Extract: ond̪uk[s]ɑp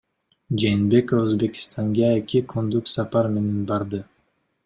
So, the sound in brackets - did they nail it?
yes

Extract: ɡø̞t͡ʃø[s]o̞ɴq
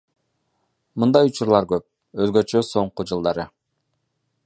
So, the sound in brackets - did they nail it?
yes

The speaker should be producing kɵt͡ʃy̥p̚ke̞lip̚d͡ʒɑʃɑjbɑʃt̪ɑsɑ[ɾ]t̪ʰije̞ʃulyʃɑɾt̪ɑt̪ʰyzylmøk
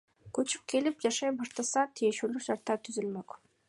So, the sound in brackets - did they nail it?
no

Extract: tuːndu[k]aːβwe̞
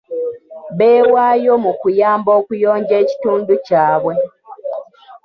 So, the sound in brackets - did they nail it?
no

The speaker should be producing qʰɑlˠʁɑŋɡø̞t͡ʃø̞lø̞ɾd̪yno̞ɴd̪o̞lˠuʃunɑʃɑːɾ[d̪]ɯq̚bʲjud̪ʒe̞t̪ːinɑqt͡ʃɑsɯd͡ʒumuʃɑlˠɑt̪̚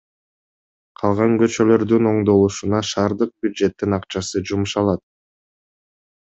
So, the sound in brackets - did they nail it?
yes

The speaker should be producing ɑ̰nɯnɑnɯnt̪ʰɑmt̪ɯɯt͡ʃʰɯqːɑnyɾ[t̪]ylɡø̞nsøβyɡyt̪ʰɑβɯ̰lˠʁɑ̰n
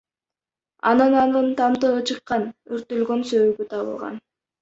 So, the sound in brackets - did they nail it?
yes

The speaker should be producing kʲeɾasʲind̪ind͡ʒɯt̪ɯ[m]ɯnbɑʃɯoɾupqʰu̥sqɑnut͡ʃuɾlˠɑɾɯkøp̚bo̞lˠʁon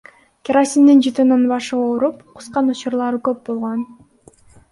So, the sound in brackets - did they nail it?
no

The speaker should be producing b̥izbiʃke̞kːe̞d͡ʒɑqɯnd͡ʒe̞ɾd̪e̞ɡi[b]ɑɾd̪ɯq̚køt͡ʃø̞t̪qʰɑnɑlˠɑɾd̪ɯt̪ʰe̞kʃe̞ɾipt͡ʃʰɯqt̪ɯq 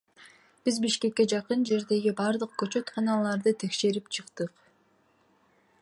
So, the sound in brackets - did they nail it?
yes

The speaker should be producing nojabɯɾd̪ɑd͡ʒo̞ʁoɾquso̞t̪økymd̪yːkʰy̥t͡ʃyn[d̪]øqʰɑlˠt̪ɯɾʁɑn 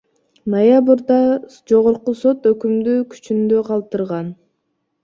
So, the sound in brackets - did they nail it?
yes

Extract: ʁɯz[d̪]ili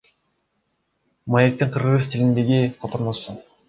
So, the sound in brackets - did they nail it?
no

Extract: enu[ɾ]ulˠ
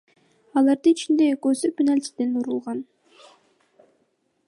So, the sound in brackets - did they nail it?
yes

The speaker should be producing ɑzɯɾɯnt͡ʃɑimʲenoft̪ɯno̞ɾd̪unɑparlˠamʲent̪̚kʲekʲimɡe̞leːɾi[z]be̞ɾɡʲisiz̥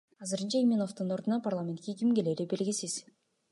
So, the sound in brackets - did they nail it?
no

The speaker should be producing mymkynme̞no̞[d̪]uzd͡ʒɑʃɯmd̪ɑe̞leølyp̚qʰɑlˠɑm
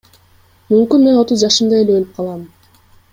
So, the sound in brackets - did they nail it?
no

